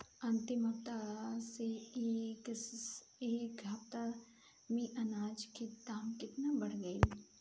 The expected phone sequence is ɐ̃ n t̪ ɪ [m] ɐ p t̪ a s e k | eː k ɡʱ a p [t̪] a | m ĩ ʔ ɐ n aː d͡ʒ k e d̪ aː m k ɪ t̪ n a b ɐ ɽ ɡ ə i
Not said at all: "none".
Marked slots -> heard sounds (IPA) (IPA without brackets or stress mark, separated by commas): m, t̪